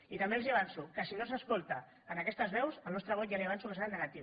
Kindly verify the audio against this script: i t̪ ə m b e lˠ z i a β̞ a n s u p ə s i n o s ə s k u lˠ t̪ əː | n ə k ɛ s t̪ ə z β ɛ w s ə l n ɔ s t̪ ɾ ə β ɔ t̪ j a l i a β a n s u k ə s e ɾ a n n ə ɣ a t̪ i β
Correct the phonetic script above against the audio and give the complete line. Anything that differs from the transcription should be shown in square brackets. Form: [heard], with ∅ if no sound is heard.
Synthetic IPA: i t̪ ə m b e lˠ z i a β̞ a n s u [k] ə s i n o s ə s k [o] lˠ t̪ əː | n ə k ɛ s t̪ ə z β ɛ w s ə l n ɔ s t̪ ɾ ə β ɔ t̪ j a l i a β a n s u k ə s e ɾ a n n ə ɣ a t̪ i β